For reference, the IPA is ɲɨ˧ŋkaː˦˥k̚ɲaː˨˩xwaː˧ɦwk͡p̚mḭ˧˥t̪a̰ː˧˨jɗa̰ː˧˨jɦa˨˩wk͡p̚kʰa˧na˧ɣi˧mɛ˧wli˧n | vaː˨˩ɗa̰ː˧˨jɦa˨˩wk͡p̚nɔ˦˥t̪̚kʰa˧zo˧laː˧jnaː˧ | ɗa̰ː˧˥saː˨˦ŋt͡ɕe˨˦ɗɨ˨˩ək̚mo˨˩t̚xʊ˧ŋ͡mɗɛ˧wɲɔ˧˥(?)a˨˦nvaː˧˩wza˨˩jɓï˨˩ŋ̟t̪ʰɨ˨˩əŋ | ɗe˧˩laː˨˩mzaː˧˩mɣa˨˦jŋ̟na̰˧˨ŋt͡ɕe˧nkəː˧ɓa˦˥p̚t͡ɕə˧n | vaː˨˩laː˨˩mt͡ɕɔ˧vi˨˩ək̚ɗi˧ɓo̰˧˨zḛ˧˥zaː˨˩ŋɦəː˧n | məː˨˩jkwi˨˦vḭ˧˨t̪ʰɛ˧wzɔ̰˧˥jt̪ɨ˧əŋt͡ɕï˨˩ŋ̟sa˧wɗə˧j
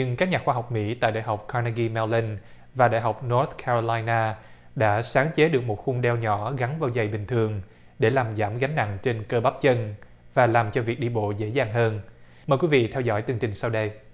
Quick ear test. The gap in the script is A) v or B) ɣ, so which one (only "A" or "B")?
B